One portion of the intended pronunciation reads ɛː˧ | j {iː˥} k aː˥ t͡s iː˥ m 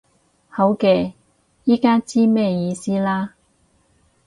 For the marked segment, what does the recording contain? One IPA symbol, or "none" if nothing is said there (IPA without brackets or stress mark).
iː˥